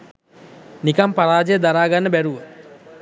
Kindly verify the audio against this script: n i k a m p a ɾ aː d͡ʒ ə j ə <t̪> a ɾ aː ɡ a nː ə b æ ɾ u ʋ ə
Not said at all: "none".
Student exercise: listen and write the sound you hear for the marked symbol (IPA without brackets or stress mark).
d̪